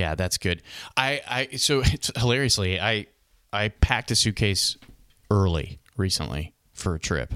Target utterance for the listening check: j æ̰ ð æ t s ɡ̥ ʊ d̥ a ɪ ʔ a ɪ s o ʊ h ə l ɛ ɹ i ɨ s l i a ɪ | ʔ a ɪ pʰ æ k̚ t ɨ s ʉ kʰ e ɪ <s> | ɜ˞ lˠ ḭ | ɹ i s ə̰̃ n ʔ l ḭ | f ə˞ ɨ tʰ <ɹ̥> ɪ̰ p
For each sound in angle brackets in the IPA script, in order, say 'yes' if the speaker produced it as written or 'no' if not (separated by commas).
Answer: yes, yes